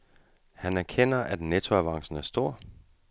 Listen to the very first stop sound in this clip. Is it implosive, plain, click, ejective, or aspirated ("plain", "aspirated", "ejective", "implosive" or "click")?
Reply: aspirated